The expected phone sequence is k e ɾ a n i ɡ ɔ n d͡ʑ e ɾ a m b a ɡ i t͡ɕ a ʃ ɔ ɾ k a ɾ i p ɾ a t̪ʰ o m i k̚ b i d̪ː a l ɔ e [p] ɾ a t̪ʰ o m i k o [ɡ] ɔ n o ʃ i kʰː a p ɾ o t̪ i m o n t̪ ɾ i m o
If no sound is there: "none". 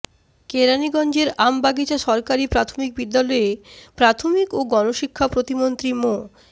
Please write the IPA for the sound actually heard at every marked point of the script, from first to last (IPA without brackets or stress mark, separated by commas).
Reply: p, ɡ